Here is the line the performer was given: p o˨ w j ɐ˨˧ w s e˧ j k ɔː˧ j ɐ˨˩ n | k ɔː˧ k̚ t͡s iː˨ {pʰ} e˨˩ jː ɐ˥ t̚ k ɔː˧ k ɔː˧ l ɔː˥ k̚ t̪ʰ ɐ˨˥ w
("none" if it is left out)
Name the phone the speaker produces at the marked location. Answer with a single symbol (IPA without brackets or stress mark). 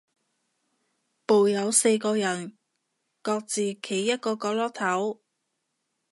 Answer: kʰ